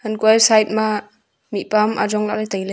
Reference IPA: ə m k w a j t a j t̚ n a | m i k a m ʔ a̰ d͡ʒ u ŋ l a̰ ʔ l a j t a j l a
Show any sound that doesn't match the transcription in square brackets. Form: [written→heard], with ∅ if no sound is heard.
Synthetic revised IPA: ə [m→n] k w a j [t→s] a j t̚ [n→m] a | m i [k→p] a m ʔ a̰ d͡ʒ [u→ɔ] ŋ l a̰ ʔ l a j t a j l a